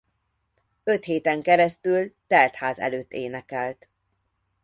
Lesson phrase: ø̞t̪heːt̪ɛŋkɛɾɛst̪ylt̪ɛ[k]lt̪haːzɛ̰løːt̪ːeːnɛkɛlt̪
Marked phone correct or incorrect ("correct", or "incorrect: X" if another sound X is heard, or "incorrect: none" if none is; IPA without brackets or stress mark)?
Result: incorrect: none